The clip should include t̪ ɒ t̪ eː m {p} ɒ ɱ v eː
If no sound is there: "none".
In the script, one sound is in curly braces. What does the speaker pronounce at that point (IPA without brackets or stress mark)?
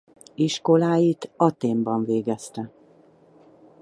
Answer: b